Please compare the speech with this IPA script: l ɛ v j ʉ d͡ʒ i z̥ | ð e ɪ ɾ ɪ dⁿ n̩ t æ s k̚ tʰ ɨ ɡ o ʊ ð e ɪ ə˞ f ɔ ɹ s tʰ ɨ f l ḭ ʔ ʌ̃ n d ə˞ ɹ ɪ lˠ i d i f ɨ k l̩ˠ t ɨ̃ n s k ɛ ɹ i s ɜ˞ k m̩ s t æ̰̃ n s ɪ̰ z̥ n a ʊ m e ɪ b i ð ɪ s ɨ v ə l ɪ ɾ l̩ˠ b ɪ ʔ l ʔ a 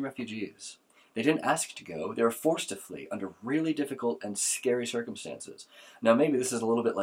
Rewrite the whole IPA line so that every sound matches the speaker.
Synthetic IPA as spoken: ɹ ɛ f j ʉ d͡ʒ i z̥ | ð e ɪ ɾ ɪ dⁿ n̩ t æ s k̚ tʰ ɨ ɡ o ʊ ð e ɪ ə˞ f ɔ ɹ s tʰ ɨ f l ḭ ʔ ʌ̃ n d ə˞ ɹ ɪ lˠ i d ɪ f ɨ k l̩ˠ t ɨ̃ n s k ɛ ɹ i s ɜ˞ k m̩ s t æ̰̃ n s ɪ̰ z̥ n a ʊ m e ɪ b i ð ɪ s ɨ z ə l ɪ ɾ l̩ˠ b ɪ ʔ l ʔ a